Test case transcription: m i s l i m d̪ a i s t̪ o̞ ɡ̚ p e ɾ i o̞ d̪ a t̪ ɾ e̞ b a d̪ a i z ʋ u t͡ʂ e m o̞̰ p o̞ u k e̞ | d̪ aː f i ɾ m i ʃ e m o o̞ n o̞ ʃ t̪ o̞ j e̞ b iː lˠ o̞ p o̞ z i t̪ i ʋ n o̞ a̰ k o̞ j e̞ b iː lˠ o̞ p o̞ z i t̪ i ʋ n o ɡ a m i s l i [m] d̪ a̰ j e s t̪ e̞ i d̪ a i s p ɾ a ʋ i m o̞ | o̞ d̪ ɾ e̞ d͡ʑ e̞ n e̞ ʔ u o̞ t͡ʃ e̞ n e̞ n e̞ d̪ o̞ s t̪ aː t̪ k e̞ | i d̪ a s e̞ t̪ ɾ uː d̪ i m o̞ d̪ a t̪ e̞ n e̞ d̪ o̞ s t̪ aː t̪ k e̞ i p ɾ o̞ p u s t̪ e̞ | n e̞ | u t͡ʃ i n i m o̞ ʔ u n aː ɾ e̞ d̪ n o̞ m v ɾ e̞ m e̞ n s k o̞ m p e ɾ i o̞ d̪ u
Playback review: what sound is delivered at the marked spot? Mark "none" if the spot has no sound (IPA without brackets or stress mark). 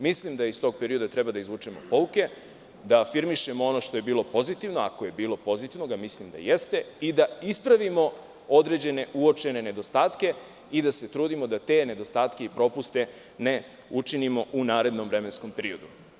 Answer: m